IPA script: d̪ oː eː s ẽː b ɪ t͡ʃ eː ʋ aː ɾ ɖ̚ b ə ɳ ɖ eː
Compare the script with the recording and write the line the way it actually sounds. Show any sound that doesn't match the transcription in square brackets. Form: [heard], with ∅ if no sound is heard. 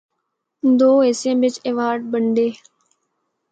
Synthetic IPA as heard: d̪ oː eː s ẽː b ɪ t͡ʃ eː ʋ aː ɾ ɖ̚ b ə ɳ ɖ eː